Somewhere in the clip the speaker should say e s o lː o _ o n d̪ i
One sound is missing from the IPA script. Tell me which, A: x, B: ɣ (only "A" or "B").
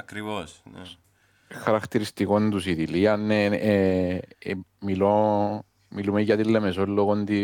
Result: B